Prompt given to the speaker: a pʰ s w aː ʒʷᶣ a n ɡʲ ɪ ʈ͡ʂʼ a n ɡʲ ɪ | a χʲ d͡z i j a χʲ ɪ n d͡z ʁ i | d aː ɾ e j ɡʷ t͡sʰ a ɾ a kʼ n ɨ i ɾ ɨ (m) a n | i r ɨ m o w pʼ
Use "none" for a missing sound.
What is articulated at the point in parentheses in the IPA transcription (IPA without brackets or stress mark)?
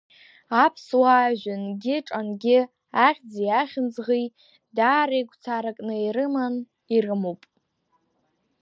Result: m